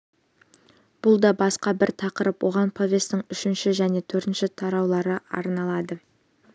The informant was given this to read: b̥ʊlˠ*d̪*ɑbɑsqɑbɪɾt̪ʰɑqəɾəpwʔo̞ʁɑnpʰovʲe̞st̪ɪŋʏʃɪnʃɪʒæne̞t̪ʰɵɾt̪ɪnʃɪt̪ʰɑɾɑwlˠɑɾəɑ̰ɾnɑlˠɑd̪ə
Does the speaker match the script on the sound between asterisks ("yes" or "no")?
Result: yes